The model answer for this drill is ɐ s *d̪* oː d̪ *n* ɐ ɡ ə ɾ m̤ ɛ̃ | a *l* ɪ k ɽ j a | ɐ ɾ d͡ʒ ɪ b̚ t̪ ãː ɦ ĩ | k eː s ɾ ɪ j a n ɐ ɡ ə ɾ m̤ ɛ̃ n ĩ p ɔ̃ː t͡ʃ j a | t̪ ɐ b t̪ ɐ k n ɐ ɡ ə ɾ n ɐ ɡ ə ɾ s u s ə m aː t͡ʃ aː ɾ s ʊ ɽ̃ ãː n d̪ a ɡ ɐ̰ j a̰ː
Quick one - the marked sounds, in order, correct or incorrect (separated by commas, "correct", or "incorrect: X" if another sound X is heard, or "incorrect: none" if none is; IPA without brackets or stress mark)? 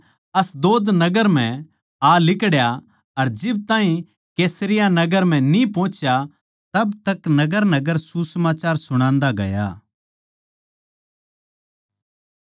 correct, correct, correct